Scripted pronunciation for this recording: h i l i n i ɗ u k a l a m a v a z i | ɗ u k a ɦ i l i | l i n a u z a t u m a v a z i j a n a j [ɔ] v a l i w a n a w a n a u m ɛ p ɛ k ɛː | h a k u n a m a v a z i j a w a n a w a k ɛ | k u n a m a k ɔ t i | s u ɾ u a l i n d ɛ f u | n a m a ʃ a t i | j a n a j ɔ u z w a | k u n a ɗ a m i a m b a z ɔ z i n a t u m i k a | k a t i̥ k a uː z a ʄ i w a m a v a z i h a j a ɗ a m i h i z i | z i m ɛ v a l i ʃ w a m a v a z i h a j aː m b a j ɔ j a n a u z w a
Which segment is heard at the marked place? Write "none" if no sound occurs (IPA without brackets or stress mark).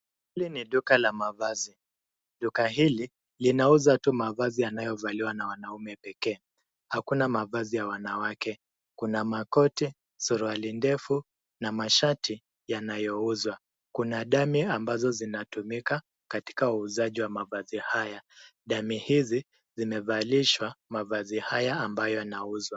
ɔ